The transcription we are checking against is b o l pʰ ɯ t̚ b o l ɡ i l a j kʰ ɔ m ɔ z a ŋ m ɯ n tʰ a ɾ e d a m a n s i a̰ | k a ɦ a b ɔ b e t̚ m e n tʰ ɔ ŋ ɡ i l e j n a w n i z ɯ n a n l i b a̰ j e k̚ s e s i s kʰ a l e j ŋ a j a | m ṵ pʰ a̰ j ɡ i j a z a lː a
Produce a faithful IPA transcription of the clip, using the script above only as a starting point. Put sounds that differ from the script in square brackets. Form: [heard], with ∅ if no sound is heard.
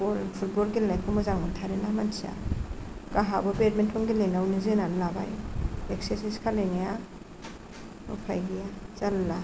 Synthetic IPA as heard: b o l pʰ [u] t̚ b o l ɡ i l a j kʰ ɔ m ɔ z a ŋ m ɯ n tʰ a ɾ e [n] a m a n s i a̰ | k a ɦ a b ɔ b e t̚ m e n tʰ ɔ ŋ ɡ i l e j n a w n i z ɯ n a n l [a] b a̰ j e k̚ s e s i s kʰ a l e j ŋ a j a | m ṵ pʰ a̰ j ɡ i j a z a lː a

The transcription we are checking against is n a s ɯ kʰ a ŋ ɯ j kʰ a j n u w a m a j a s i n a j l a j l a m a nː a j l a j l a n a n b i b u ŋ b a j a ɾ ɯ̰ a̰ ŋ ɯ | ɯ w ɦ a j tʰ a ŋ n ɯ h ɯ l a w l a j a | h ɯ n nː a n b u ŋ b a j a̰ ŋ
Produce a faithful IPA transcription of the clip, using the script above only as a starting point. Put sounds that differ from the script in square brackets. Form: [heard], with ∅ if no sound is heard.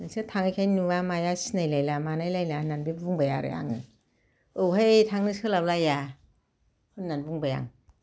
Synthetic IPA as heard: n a s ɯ [tʰ] a ŋ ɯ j kʰ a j n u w a m a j a s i n a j l a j l a m a [n] a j l a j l a n a n b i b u ŋ b a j a ɾ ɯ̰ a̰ ŋ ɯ | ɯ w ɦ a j tʰ a ŋ n ɯ [s] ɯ l a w l a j a | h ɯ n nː a n b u ŋ b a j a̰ ŋ

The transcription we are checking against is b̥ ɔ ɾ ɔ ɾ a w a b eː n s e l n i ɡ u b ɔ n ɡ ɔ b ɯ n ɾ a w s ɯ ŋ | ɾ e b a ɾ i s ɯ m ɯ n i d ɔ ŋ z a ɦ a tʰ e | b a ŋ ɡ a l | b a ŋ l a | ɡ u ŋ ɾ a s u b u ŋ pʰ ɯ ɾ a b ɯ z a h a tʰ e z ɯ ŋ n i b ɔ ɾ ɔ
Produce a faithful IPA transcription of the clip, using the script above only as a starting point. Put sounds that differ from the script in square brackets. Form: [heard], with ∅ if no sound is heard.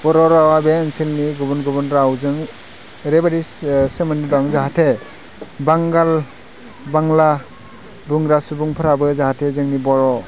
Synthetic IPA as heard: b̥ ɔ ɾ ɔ ɾ a w a b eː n s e l n i ɡ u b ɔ n ɡ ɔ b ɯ n ɾ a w [z] ɯ ŋ | ɾ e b a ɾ i s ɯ m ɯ n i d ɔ ŋ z a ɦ a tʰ e | b a ŋ ɡ a l | b a ŋ l a | [b] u ŋ ɾ a s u b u ŋ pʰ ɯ ɾ a b ɯ z a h a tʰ e z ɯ ŋ n i b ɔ ɾ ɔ

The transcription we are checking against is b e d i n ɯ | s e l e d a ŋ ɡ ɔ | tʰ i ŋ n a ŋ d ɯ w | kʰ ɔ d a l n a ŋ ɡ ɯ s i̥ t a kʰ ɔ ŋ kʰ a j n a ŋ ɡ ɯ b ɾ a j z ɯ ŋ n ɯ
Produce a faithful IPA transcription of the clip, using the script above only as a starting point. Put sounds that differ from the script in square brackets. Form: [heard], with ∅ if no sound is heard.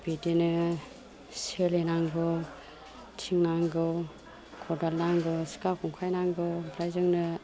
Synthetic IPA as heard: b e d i n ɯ | s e l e [n] a ŋ ɡ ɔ | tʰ i ŋ n a ŋ [ɡ] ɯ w | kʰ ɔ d a l n a ŋ ɡ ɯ s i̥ [k] a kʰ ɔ ŋ kʰ a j n a ŋ ɡ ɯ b ɾ a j z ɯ ŋ n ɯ

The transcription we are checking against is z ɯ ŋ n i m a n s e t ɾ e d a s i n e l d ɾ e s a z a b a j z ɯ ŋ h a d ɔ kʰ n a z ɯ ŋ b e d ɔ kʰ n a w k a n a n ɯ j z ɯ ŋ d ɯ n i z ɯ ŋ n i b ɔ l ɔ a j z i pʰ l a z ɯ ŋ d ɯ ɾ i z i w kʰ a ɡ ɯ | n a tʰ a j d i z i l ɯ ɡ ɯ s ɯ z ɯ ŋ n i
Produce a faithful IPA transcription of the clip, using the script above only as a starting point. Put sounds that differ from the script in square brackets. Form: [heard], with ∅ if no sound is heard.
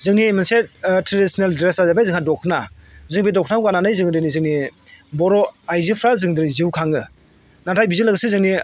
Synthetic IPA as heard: z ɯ ŋ n i m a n s e t ɾ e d [i] s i n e l d ɾ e s a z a b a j z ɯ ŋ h a d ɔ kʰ n a z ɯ ŋ b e d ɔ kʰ n a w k a n a n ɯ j z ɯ ŋ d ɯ n i z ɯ ŋ n i b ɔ [ɾ] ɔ a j z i pʰ [ɾ] a z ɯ ŋ d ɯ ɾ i z i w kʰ a [ŋ] ɯ | n a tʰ a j [b] i z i l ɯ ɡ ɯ s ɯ z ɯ ŋ n i

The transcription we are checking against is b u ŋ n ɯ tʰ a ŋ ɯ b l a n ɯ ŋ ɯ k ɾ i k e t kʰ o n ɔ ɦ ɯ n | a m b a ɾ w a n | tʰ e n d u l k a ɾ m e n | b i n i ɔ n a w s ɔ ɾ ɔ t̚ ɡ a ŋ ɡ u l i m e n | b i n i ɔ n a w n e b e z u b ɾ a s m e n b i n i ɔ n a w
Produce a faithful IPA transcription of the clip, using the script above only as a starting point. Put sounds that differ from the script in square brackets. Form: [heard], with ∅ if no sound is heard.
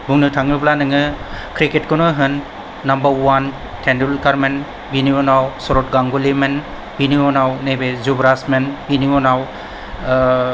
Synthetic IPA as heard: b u ŋ n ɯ tʰ a ŋ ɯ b l a n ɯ ŋ ɯ k ɾ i k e t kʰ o n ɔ ɦ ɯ [nː] | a m b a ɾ w a n | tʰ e n d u l k a ɾ m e n | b i n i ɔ n a w s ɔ ɾ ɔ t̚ ɡ a ŋ ɡ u l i m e n | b i n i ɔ n a w n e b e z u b ɾ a s m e n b i n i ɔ n a w

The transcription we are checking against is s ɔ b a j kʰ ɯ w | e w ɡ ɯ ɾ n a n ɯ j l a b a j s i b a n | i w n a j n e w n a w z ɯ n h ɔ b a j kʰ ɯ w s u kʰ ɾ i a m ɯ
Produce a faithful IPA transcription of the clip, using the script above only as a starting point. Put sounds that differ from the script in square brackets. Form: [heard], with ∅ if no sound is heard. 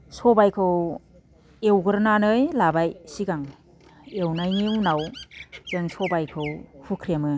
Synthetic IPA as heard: s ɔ b a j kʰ ɯ w | e w ɡ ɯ ɾ n a n ɯ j l a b a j s i [ɡ] a [ŋ] | [e] w n a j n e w n a w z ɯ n [s] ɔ b a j kʰ ɯ w [h] u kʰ ɾ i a m ɯ

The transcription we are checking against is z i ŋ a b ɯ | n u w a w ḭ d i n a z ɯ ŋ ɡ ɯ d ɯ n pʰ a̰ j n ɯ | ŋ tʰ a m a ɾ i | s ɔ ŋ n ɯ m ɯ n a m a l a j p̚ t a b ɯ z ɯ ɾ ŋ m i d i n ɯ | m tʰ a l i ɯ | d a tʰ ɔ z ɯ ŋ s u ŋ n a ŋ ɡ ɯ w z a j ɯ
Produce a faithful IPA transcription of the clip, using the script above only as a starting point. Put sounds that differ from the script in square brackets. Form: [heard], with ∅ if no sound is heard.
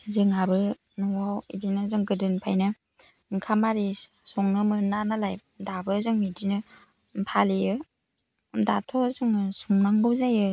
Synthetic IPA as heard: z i ŋ a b ɯ | n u w a w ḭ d i n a z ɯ ŋ ɡ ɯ d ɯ n pʰ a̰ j n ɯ | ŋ [kʰ] a m a ɾ i | s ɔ ŋ n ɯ m ɯ n a [n] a l a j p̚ [d] a b ɯ z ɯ [∅] ŋ m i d i n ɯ | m [pʰ] a l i ɯ | d a tʰ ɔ z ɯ ŋ s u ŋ n a ŋ ɡ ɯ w z a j ɯ

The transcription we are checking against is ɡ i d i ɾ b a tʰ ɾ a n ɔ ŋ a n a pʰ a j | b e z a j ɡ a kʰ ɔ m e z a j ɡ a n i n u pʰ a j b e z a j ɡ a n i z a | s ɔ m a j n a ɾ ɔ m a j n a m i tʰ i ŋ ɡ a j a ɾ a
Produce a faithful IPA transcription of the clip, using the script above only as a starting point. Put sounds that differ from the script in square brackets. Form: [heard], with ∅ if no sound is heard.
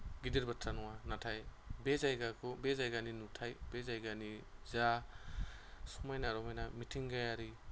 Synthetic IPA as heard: ɡ i d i ɾ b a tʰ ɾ a n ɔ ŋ a n a [tʰ] a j | b e z a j ɡ a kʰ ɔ [b] e z a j ɡ a n i n u [tʰ] a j b e z a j ɡ a n i z a | s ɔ m a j n a ɾ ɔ m a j n a m i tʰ i ŋ ɡ a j a ɾ [i]

